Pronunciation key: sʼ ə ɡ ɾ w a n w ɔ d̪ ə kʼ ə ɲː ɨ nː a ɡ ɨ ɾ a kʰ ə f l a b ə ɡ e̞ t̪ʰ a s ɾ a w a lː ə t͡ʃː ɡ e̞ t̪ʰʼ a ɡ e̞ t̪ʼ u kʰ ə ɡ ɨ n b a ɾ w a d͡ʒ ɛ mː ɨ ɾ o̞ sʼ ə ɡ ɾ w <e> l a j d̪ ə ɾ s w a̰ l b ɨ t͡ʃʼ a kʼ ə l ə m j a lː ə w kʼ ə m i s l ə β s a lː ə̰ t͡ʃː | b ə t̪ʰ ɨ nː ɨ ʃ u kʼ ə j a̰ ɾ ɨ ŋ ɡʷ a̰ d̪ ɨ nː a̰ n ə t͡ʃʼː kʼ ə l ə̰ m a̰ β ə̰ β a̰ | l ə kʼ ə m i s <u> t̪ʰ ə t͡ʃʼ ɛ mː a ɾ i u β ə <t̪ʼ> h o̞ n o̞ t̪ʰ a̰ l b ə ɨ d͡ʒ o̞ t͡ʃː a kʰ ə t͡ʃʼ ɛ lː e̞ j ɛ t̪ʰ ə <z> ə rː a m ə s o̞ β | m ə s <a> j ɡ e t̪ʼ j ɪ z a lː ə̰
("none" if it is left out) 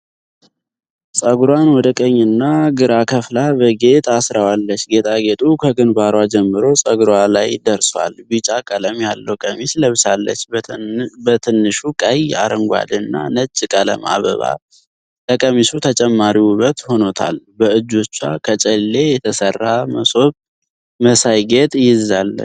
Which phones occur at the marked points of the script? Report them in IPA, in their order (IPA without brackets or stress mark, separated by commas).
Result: a, u, t̪, s, a